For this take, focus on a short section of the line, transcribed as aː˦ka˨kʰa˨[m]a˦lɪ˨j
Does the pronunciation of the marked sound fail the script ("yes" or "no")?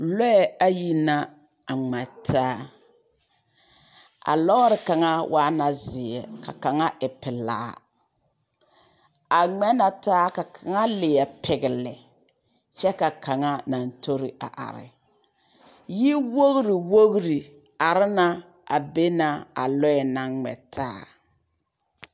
yes